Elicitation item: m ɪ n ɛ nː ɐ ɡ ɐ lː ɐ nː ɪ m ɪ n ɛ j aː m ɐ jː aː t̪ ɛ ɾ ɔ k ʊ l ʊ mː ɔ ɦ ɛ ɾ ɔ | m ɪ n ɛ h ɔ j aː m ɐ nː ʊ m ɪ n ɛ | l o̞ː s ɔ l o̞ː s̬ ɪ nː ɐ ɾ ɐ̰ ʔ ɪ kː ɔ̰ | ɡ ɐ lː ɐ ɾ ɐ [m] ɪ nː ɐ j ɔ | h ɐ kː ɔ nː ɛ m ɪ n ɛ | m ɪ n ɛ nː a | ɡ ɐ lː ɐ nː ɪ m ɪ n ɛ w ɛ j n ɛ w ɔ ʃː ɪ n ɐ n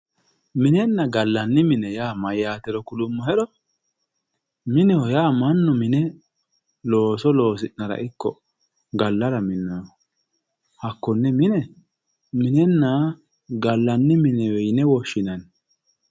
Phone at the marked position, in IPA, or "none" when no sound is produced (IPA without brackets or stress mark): m